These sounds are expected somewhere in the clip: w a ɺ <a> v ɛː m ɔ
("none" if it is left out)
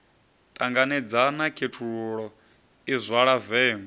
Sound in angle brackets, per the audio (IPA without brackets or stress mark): a